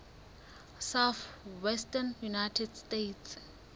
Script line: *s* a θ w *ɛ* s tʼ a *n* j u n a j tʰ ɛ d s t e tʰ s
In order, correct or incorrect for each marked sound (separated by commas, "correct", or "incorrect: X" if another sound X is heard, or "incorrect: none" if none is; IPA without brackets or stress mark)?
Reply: correct, correct, correct